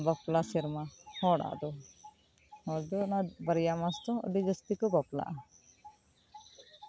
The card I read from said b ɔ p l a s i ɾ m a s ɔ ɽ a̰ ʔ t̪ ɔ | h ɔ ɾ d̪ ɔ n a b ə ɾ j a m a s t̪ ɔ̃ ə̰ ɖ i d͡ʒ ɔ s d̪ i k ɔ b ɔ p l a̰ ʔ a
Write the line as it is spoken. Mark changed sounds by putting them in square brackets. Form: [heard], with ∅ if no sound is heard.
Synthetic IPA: b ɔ p l a s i ɾ m a [h] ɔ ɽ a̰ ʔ [d̪] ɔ | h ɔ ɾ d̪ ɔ n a b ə ɾ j a m a s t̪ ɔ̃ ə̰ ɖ i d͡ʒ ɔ s [t̪] i k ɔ b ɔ p l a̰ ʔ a